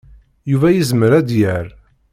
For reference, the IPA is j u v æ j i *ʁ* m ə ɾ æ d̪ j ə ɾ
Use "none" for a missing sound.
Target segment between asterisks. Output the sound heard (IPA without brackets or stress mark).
z